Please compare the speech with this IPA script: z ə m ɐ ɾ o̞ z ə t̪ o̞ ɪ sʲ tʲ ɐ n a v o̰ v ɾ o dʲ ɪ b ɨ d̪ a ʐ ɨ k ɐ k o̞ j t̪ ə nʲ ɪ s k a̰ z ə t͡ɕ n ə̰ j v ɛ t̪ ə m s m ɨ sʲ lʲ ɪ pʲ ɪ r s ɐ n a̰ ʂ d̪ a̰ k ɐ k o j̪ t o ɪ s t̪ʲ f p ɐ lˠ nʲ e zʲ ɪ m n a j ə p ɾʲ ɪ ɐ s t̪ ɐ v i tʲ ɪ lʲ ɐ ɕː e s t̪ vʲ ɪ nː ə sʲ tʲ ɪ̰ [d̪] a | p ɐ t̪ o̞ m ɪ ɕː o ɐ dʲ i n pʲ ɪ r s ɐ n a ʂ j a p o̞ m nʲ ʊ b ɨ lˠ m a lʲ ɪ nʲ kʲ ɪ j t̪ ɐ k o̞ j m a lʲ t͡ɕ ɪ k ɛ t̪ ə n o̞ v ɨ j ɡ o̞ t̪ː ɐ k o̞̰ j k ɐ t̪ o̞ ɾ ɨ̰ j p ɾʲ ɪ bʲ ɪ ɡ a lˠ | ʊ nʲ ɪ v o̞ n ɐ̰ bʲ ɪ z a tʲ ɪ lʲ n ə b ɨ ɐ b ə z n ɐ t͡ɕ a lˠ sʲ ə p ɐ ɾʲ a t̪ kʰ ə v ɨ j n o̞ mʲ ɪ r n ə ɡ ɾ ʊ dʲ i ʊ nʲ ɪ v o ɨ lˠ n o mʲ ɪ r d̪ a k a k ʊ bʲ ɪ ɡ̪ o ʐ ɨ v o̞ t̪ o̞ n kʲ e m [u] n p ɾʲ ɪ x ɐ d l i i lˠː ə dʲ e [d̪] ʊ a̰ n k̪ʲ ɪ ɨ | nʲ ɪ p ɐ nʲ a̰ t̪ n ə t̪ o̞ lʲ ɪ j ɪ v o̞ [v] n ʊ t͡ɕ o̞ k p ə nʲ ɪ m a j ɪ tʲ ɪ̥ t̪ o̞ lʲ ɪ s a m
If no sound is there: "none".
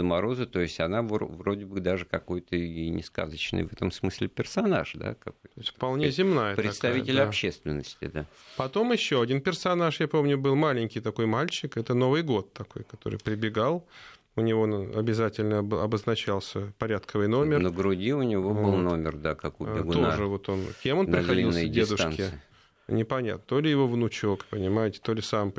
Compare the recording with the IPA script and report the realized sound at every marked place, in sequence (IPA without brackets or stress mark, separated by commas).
d̪, o, d̪, v